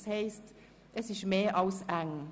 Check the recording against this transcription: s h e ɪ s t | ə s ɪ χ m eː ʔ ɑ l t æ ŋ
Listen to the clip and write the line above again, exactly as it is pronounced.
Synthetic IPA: s h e ɪ s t | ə s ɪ ʃ m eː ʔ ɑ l s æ ŋ